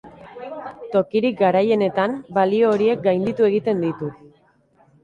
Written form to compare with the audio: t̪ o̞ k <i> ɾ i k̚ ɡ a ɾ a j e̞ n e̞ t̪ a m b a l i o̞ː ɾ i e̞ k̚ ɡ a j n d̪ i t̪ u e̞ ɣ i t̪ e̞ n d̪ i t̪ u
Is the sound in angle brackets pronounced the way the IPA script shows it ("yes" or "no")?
yes